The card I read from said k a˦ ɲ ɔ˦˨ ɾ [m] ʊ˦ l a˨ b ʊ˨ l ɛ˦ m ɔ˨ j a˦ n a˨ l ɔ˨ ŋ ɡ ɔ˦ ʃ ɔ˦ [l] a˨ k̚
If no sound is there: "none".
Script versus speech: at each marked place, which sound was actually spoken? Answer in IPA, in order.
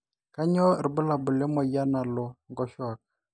b, none

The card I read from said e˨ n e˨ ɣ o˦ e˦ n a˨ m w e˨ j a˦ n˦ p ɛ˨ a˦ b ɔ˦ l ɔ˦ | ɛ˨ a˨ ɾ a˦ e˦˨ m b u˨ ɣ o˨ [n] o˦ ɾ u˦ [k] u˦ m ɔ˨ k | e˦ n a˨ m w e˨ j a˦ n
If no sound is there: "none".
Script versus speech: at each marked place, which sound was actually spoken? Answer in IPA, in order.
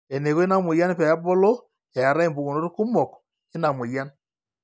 n, k

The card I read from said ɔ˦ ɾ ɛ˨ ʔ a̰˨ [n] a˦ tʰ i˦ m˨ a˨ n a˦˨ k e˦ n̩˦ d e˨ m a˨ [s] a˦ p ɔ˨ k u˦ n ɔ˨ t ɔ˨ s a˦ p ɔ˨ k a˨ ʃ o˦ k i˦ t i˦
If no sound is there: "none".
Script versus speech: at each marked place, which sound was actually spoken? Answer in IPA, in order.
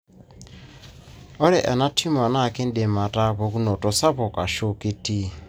n, t

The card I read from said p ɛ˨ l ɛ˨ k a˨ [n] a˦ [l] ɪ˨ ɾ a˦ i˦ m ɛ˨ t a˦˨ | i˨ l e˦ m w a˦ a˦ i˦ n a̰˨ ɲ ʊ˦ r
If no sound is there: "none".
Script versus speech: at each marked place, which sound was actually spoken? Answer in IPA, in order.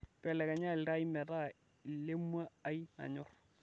ɲ, l

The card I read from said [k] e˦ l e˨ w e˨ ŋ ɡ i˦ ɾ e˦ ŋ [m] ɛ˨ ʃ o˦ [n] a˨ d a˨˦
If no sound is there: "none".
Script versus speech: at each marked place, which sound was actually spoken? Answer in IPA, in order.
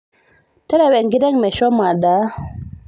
t, m, m

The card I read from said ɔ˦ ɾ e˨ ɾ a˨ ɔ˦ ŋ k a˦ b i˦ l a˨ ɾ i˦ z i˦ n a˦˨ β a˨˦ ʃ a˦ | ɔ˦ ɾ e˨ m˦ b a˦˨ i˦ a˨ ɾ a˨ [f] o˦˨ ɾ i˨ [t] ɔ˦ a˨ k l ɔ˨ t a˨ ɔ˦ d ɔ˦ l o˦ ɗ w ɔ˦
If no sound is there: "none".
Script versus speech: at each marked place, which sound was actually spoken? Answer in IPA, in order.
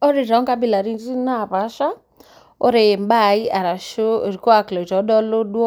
ʃ, k

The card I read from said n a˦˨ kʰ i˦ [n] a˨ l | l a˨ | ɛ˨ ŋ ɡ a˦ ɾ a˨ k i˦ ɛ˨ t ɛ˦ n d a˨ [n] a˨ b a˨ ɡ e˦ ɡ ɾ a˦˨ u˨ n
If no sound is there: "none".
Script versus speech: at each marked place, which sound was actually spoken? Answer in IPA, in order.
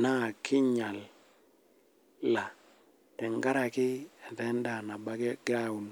ɲ, n

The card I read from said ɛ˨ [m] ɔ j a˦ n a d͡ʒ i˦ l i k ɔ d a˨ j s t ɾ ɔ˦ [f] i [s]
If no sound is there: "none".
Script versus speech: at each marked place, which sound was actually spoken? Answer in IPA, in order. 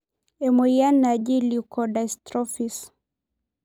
m, f, s

